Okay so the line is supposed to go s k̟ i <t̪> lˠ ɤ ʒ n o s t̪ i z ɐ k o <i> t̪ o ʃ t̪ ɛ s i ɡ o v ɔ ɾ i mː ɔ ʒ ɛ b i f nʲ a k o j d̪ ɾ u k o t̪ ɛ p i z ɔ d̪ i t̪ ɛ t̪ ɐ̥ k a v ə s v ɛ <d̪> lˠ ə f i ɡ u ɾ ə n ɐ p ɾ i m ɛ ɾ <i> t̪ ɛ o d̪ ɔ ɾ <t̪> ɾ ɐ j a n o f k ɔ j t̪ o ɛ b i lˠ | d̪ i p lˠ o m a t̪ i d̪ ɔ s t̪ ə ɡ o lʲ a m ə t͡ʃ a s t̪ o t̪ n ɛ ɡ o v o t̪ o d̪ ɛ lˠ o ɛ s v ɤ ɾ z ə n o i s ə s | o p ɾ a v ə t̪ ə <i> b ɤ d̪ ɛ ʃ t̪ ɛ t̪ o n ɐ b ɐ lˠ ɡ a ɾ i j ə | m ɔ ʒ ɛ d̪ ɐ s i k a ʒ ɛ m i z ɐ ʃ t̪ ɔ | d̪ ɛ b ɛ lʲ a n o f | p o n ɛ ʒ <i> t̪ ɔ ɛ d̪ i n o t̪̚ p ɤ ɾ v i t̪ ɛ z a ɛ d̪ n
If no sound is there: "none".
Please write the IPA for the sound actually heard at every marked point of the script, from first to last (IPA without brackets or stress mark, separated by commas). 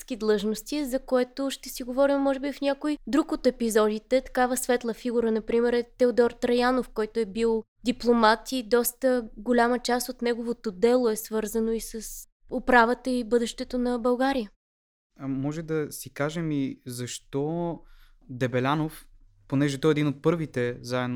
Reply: d̪, ɛ, t̪, ɛ, t̪, i, ɛ